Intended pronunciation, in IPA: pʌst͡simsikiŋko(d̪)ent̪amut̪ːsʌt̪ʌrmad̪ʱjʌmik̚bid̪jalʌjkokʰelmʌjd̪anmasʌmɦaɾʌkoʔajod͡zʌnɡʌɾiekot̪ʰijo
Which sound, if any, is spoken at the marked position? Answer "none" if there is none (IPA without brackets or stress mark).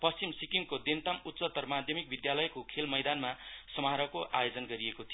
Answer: d̪